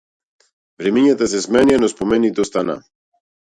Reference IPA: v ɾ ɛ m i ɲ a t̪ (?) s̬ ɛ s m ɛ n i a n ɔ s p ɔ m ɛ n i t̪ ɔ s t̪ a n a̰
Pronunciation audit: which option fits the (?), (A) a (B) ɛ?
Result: A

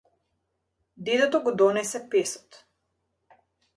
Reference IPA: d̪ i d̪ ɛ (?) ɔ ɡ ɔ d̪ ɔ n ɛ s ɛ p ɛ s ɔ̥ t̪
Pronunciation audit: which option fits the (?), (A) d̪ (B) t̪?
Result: B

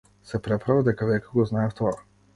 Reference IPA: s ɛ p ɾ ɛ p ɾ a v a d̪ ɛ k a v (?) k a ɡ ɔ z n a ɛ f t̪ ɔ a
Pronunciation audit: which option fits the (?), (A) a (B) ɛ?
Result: B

